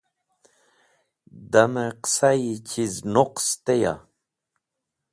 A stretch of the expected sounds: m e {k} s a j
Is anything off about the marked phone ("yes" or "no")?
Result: yes